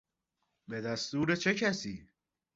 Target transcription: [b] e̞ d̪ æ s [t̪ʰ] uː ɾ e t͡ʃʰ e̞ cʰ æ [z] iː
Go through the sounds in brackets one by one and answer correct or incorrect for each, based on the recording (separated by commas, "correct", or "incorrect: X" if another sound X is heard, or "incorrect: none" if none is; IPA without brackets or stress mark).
correct, incorrect: t̪, incorrect: s